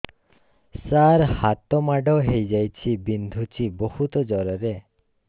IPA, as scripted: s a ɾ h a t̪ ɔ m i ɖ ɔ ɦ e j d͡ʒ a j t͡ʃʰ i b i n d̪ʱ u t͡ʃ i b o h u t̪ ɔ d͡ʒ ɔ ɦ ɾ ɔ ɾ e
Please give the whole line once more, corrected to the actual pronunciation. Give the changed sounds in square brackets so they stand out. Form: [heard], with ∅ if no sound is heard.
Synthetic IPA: s a ɾ h a t̪ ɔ m [a] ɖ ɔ ɦ e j d͡ʒ a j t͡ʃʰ i b i n d̪ʱ u t͡ʃ i b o h u t̪ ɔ d͡ʒ ɔ [∅] ɾ ɔ ɾ e